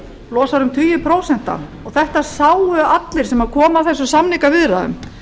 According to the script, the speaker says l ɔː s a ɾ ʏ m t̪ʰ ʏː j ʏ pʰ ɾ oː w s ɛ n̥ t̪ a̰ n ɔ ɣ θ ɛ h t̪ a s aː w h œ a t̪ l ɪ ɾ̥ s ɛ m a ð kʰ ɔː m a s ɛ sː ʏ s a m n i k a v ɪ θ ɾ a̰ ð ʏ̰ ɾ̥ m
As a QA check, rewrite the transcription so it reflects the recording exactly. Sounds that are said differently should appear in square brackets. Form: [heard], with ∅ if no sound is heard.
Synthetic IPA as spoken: l ɔː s a ɾ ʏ m t̪ʰ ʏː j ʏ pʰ ɾ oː w s ɛ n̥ t̪ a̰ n ɔ ɣ θ ɛ h t̪ a s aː w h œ a t̪ l ɪ ɾ̥ s ɛ m a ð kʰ ɔː m a [θ] ɛ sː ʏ s a m n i k a v ɪ [ð] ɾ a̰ ð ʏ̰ [∅] m